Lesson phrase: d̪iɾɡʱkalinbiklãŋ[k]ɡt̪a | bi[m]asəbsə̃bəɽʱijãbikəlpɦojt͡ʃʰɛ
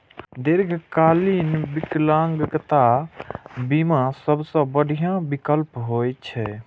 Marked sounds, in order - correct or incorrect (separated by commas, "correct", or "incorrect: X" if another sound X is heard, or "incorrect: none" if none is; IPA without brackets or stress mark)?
incorrect: ɡ, correct